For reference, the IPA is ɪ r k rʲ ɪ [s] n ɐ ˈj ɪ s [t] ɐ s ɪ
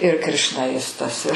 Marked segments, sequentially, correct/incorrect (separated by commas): incorrect, correct